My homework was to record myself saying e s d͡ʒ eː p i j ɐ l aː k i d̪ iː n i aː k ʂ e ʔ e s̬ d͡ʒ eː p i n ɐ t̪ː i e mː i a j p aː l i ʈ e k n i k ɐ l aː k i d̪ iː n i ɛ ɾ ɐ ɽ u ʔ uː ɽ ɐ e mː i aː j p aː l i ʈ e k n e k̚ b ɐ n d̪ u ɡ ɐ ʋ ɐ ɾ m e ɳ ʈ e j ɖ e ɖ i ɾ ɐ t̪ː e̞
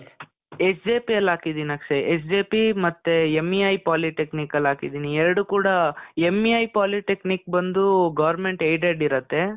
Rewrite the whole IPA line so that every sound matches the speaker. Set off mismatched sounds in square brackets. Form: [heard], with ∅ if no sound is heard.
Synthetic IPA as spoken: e s d͡ʒ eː p i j ɐ l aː k i d̪ iː n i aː k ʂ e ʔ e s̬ d͡ʒ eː p i [m] ɐ t̪ː [e] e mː i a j p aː l i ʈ e k n i k ɐ l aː k i d̪ iː n i ɛ ɾ ɐ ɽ u [k] uː ɽ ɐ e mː i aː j p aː l i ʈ e k n [i] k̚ b ɐ n d̪ u ɡ ɐ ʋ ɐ ɾ m e ɳ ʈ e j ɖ e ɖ i ɾ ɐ t̪ː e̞